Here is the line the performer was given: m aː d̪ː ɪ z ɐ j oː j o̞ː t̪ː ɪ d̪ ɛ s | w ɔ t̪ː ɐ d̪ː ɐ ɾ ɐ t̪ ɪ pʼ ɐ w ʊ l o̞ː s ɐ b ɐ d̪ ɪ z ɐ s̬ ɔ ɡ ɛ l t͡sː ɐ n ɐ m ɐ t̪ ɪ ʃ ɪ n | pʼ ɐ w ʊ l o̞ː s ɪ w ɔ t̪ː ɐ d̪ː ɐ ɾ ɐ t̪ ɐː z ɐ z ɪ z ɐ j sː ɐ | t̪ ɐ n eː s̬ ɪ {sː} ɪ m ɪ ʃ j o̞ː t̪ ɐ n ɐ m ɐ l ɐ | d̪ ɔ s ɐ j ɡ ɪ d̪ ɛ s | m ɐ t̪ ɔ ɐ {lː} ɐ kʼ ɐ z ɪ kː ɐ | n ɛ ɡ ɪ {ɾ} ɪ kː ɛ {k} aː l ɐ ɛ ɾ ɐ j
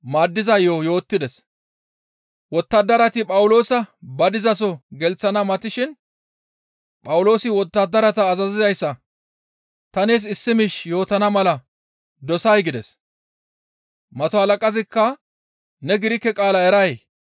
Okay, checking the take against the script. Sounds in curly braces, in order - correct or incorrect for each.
correct, incorrect, correct, incorrect

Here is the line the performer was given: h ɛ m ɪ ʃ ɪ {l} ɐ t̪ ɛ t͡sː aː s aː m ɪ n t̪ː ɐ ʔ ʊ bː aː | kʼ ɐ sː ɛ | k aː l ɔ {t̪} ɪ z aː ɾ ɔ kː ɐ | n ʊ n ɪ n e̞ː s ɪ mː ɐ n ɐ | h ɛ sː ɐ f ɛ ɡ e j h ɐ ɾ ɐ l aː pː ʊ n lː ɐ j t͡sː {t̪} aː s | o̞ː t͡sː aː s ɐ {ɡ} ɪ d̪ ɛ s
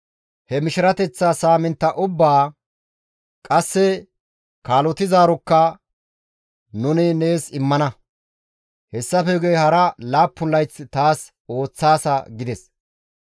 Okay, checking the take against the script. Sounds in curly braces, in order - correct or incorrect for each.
incorrect, correct, correct, correct

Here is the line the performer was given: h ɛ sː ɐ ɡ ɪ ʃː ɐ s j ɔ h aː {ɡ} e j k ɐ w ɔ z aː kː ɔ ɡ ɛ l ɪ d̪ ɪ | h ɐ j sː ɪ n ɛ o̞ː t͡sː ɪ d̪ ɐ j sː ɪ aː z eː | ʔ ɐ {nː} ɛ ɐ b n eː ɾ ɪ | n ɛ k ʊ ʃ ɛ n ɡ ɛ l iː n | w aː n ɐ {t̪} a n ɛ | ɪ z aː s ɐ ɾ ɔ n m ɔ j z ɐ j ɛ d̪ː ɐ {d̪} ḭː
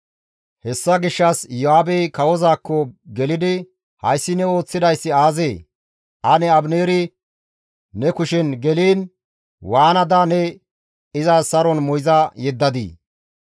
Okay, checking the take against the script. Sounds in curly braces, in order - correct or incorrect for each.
incorrect, incorrect, incorrect, correct

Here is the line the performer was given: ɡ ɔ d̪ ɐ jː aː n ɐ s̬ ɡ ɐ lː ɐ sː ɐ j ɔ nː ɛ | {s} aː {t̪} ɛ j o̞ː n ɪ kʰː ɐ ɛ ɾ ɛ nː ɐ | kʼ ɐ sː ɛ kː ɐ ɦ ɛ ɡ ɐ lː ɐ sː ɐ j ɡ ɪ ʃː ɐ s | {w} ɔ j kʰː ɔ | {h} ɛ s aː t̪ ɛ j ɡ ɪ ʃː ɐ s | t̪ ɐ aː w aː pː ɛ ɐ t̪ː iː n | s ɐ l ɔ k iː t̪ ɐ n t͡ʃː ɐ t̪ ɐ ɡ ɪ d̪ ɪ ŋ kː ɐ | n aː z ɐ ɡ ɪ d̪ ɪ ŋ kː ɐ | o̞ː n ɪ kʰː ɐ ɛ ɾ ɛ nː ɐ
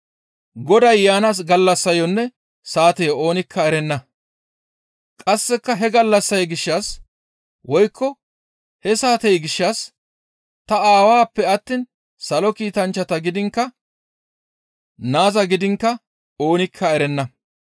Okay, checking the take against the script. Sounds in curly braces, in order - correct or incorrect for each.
correct, correct, correct, correct

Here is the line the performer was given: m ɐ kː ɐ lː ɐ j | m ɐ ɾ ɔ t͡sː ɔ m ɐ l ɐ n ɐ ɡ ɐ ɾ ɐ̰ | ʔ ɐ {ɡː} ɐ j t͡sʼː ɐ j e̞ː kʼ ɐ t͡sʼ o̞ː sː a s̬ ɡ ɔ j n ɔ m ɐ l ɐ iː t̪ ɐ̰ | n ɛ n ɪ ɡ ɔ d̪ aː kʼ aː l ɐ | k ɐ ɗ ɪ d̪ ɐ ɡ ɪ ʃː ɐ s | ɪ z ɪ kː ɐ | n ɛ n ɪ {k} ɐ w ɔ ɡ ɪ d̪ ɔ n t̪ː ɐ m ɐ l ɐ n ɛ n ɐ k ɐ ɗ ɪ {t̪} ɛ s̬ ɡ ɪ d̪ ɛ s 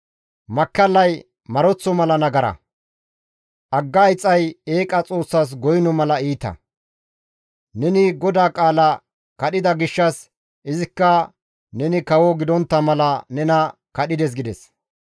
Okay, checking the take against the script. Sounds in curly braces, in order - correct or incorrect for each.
correct, correct, incorrect

